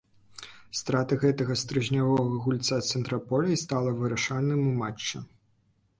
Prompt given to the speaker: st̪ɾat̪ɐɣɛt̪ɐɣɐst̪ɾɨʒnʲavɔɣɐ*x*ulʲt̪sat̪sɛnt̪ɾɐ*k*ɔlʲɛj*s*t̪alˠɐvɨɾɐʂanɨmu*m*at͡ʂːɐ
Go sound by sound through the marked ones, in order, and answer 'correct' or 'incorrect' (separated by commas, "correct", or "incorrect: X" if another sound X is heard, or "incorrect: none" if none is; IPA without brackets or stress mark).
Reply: incorrect: ɣ, incorrect: p, correct, correct